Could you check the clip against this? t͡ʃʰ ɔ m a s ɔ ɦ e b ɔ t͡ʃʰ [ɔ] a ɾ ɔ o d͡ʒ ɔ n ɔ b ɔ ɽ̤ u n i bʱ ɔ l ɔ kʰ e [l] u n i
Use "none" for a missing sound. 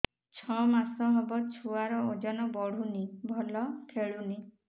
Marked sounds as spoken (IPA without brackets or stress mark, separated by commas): u, ɭ